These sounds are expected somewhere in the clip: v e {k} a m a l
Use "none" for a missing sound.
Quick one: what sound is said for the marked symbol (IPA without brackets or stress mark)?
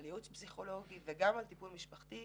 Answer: ɡ